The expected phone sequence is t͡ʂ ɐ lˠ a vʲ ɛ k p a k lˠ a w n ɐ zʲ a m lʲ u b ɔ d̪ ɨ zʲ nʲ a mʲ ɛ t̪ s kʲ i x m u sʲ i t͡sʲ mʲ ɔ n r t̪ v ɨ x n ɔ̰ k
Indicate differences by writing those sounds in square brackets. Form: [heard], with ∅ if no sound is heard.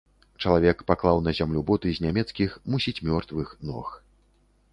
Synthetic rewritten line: t͡ʂ ɐ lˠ a vʲ ɛ k p a k lˠ a w n ɐ zʲ a m lʲ u b ɔ [t̪] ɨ zʲ nʲ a mʲ ɛ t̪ s kʲ i x m u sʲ i t͡sʲ mʲ ɔ [∅] r t̪ v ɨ x n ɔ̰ [x]